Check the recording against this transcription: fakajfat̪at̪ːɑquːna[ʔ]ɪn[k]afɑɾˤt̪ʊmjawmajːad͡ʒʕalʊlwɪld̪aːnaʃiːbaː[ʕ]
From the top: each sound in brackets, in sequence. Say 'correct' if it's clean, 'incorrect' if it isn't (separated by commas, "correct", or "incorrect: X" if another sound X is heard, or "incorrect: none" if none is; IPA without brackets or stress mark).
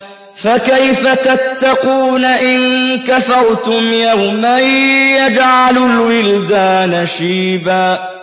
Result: correct, correct, incorrect: none